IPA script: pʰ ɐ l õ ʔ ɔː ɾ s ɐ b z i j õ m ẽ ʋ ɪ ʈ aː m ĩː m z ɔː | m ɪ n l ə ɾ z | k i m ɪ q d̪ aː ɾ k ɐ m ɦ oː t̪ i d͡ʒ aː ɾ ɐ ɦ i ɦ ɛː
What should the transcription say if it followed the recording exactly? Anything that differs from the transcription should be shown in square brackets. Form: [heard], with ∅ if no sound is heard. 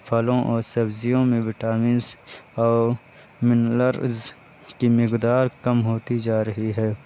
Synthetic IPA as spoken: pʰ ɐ l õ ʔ ɔː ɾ s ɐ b z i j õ m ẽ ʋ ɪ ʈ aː m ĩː [n] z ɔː | m ɪ n l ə ɾ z | k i m ɪ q d̪ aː ɾ k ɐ m ɦ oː t̪ i d͡ʒ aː ɾ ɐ ɦ i ɦ ɛː

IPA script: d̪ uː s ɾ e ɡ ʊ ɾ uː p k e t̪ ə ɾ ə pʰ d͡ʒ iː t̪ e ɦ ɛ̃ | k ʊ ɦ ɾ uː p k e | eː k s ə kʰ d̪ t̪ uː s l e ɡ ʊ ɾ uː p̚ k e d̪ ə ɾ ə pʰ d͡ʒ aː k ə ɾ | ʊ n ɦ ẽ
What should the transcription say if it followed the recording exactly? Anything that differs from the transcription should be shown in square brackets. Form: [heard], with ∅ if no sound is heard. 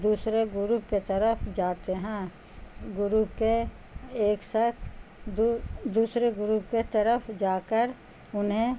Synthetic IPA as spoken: d̪ uː s ɾ e ɡ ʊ ɾ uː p k e t̪ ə ɾ ə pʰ d͡ʒ [aː] t̪ e ɦ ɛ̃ | [ɡ] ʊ [∅] ɾ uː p k e | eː k s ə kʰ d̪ [d̪] uː s [ɾ] e ɡ ʊ ɾ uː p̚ k e [t̪] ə ɾ ə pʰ d͡ʒ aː k ə ɾ | ʊ n ɦ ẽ

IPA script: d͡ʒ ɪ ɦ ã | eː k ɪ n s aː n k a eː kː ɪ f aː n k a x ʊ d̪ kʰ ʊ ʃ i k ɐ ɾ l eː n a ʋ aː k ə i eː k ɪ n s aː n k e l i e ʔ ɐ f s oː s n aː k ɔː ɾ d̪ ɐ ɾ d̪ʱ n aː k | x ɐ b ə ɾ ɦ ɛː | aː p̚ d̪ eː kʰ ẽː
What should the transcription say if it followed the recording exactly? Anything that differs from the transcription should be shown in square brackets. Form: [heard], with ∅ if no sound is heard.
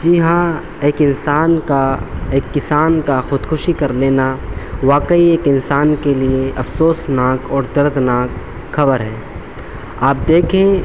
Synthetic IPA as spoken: d͡ʒ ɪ ɦ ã | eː k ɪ n s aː n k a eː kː ɪ [s] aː n k a x ʊ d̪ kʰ ʊ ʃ i k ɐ ɾ l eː n a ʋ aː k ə i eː k ɪ n s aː n k e l i e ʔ ɐ f s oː s n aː k ɔː ɾ d̪ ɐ ɾ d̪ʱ n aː k | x ɐ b ə ɾ ɦ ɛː | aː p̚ d̪ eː kʰ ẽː

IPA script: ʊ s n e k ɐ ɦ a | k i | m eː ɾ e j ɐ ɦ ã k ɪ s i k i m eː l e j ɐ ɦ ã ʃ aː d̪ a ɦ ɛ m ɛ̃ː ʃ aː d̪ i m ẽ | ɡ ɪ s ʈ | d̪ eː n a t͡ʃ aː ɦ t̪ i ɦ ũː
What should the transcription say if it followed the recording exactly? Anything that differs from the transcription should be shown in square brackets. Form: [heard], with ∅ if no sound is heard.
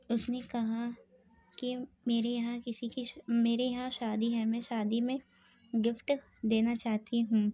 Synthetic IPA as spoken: ʊ s n e k ɐ ɦ a | k i | m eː ɾ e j ɐ ɦ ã k ɪ s i k i m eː [ɾ] e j ɐ ɦ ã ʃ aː d̪ [i] ɦ ɛ m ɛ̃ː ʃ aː d̪ i m ẽ | ɡ ɪ [f] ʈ | d̪ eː n a t͡ʃ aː ɦ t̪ i ɦ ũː

